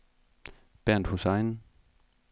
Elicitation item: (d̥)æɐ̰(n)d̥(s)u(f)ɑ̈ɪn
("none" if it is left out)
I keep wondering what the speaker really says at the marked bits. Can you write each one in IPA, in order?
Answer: b̥, n, h, s

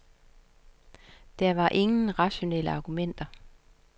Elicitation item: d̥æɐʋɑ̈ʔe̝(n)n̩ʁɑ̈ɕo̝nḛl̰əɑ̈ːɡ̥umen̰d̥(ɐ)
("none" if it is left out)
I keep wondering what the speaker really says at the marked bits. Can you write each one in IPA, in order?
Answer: ŋ, ɐ

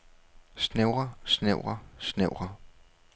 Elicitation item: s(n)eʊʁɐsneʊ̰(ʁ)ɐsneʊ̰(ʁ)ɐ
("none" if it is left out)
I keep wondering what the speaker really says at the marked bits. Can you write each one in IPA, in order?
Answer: n, ʁ, ʁ

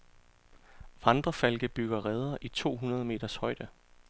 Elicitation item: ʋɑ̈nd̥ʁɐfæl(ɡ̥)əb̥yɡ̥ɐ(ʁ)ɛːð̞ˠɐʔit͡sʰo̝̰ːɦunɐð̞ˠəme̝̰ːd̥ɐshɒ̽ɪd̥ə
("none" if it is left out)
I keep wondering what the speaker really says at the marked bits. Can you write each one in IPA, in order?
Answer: ɡ̥, ʁ

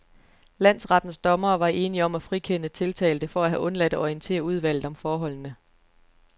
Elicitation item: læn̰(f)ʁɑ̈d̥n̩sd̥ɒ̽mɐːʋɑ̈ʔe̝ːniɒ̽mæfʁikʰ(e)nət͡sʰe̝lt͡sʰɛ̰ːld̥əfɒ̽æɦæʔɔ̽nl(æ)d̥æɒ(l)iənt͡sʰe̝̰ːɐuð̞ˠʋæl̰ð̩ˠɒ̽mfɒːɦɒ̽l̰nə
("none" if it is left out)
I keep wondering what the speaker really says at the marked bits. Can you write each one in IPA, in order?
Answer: s, e, æ, none

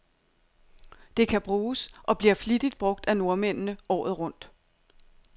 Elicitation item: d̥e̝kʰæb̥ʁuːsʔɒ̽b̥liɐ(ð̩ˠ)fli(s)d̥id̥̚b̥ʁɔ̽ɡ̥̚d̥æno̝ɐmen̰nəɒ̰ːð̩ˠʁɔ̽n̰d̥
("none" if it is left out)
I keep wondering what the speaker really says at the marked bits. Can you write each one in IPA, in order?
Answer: none, none

